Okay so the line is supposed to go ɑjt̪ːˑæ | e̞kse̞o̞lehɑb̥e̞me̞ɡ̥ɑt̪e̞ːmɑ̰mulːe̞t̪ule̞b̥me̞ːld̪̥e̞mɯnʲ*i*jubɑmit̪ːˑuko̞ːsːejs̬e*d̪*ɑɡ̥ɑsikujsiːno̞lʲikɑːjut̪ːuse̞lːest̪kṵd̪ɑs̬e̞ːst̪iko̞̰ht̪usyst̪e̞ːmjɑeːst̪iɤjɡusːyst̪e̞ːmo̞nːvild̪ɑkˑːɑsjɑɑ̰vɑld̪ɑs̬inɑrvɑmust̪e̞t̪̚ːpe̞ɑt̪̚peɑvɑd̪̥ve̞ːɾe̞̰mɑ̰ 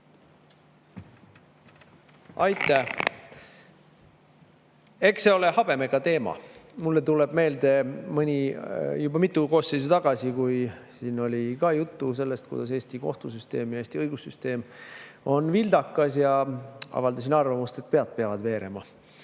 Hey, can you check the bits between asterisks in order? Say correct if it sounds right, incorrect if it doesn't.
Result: correct, incorrect

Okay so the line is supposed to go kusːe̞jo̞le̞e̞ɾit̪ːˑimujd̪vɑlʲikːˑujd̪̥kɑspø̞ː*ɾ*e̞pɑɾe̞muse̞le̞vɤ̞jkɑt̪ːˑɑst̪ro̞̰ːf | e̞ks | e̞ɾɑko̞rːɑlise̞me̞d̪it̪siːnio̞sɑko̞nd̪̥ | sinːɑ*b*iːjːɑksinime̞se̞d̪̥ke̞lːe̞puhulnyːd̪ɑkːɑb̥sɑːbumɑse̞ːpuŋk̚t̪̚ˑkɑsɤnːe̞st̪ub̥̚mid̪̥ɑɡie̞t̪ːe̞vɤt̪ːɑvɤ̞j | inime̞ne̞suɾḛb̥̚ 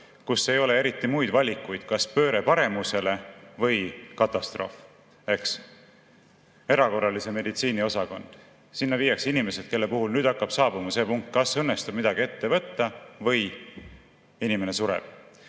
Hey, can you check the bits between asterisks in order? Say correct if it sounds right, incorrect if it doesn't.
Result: correct, incorrect

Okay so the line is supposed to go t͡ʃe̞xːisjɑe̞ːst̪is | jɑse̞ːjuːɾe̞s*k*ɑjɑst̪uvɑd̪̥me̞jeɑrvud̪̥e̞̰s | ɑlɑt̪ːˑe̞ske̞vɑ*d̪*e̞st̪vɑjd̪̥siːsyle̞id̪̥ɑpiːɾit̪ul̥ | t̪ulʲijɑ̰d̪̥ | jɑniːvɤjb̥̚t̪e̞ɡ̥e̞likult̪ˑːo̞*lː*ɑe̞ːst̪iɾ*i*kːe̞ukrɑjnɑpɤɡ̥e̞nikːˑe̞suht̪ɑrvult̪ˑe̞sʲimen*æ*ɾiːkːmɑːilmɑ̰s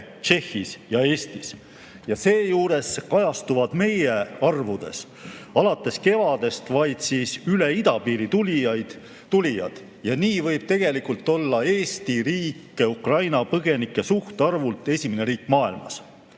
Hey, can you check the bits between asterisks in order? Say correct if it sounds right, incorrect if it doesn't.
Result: correct, correct, correct, incorrect, incorrect

